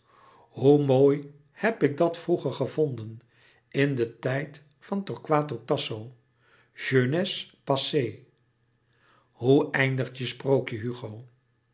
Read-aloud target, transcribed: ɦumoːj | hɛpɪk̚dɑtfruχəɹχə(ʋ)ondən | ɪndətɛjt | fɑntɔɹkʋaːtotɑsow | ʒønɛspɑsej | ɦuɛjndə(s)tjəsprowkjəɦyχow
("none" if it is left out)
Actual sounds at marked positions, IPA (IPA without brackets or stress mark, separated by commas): v, χ